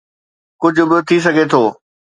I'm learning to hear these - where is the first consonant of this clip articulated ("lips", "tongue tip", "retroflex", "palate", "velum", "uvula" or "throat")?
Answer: velum